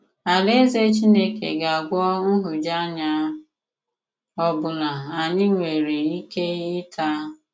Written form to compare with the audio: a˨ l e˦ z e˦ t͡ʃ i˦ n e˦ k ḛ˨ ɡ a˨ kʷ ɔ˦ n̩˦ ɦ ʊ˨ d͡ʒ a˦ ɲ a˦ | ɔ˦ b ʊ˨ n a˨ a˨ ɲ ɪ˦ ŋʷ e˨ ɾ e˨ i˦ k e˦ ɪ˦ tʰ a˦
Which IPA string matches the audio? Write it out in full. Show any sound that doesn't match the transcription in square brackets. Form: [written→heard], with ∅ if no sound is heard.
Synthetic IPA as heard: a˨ l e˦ z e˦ t͡ʃ i˦ n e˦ k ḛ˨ ɡ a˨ [kʷ→ɡʷ] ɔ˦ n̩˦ ɦ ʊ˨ d͡ʒ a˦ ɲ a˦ | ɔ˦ b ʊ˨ n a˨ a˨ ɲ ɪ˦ ŋʷ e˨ ɾ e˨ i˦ k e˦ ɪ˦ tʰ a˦